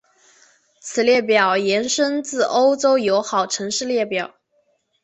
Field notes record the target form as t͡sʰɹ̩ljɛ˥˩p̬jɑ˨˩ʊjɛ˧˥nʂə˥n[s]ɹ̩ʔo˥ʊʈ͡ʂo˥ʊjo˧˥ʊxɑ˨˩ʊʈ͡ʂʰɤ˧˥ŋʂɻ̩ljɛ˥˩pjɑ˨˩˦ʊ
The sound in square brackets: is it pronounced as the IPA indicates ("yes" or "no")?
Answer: no